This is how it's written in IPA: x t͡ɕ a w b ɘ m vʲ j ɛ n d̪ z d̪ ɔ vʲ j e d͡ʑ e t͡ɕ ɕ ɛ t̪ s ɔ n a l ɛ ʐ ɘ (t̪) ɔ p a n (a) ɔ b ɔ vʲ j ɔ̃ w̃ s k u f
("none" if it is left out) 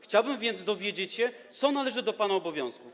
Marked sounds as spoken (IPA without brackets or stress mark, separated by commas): d̪, a